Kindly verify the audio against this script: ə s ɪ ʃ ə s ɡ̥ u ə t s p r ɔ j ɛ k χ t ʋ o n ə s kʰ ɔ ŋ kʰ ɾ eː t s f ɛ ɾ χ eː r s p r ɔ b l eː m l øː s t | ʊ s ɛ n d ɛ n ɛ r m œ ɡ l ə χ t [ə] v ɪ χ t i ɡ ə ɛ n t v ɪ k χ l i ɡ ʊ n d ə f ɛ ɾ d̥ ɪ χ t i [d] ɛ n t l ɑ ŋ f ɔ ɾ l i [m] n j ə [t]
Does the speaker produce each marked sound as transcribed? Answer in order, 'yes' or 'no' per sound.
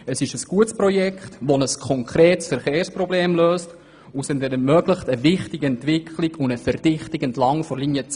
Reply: yes, no, no, no

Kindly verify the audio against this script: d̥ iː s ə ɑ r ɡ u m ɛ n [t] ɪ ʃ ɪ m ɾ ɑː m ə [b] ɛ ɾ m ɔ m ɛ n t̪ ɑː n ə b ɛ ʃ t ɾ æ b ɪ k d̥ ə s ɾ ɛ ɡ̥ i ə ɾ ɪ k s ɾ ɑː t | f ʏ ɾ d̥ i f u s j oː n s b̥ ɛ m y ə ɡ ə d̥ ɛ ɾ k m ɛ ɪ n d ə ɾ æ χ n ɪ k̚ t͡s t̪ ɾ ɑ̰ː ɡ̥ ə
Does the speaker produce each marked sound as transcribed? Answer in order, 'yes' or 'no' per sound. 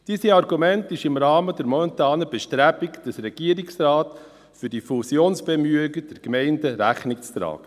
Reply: yes, no

